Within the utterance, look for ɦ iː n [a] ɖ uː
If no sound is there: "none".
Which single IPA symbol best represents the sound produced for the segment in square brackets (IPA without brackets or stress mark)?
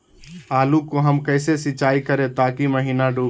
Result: a